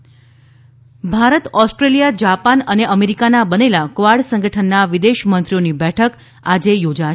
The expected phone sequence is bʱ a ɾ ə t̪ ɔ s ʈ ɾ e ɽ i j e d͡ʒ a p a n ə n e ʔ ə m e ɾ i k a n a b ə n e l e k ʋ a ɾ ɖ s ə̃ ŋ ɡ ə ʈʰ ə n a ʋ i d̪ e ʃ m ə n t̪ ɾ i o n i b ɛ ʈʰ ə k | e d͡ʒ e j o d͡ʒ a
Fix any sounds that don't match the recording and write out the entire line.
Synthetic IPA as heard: bʱ a ɾ ə t̪ ɔ s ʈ ɾ e l i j a d͡ʒ a p a n ə n e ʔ ə m e ɾ i k a n a b ə n e l a k ʋ a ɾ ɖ s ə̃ ŋ ɡ ə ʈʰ ə nː a ʋ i d̪ e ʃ m ə n t̪ ɾ i o n i b ɛ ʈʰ ə k | a d͡ʒ e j o d͡ʒ a